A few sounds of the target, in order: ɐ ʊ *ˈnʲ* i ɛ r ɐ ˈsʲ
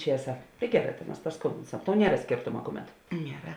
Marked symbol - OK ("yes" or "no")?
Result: yes